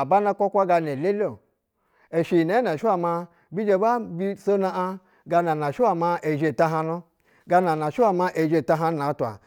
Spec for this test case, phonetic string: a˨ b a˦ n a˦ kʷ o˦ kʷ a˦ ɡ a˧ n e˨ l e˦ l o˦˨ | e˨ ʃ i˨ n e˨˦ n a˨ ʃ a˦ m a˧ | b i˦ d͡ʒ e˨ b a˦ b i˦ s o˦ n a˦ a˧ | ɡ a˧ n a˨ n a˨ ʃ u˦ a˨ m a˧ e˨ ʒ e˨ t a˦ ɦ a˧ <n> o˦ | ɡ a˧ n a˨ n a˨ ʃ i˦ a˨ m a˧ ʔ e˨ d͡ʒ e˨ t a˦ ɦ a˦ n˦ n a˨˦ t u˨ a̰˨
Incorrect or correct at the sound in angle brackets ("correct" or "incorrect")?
correct